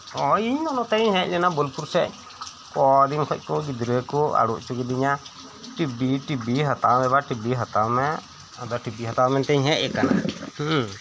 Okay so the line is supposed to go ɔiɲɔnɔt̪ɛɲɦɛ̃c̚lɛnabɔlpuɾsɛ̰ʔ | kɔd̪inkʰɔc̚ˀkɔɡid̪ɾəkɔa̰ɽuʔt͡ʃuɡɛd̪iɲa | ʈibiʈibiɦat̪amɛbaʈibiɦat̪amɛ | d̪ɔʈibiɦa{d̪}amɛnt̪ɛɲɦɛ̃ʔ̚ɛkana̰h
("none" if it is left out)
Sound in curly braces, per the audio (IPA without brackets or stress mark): t̪